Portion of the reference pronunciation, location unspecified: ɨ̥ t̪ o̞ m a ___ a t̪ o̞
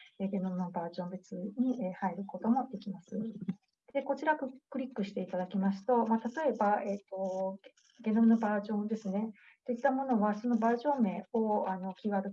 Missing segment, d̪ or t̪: t̪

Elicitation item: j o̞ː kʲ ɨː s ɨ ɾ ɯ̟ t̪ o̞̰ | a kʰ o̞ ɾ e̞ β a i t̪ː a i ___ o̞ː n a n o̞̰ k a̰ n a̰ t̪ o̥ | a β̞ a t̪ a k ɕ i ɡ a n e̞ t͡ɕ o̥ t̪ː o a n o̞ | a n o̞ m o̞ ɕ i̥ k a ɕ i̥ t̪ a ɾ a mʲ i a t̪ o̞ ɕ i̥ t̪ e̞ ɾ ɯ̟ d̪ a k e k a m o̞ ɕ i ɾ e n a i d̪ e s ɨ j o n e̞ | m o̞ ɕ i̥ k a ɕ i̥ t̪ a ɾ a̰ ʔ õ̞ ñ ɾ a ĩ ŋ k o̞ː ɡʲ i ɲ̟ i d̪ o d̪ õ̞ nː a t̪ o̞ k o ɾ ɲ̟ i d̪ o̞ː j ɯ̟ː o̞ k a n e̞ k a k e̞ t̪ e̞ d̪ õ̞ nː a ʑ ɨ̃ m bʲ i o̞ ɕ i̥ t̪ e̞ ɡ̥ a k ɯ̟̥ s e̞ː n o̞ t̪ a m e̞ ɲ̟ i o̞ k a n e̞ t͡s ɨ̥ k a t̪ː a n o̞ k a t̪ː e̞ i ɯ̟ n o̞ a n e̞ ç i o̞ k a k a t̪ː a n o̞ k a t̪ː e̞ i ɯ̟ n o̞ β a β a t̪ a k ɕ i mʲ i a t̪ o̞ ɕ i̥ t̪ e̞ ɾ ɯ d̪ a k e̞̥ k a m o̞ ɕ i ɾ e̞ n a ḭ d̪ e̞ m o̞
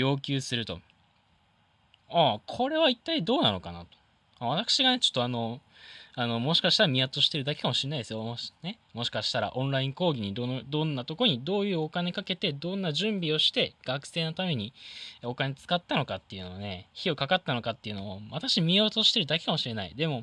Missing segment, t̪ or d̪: d̪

